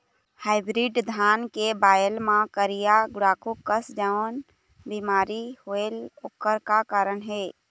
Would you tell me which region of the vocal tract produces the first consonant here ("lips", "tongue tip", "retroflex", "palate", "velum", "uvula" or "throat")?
throat